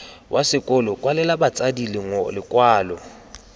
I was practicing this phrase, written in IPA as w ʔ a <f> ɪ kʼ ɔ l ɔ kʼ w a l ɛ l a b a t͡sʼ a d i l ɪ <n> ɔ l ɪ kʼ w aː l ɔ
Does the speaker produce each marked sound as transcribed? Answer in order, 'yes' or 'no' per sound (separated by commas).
no, no